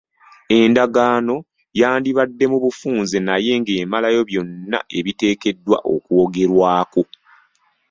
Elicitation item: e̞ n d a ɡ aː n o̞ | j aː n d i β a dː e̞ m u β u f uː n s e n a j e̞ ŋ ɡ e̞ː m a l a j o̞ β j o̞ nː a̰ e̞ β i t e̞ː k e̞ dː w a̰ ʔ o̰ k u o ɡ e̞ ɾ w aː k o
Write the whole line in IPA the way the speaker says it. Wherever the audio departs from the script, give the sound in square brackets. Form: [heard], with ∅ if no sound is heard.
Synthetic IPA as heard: e̞ n d a ɡ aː n o̞ | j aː n d i β a dː e̞ m u β u f uː n [z] e n a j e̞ ŋ ɡ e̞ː m a l a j o̞ β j o̞ nː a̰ e̞ β i t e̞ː k e̞ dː w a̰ ʔ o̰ k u o ɡ e̞ ɾ w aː k o